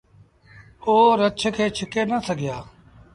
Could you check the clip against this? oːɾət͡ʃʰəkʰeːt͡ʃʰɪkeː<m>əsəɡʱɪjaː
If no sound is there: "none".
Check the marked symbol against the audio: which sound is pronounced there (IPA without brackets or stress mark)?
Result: n